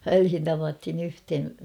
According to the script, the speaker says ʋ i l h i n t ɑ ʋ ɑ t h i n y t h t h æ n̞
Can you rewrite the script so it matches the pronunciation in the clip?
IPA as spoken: ʋ æ l h i n t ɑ ʋ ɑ t h i n y h t h e n̞